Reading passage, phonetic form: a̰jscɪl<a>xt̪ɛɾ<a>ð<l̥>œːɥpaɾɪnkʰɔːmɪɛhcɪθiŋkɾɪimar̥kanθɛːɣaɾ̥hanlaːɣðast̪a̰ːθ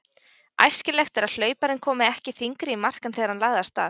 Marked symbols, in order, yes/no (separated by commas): no, yes, yes